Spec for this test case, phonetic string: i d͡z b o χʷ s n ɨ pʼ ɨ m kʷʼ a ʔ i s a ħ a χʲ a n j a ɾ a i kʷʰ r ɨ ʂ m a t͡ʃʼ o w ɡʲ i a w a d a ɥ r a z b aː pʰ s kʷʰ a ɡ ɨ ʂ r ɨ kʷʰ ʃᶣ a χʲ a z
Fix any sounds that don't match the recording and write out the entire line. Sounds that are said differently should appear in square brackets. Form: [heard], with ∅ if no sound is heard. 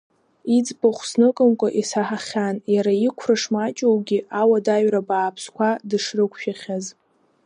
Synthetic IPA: i d͡z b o χʷ s n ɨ [kʼ] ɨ m kʷʼ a ʔ i s a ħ a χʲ a n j a ɾ a i kʷʰ r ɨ ʂ m a t͡ʃʼ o w ɡʲ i a w a d a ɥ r a [∅] b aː pʰ s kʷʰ a [d] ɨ ʂ r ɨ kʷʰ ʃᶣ a χʲ a z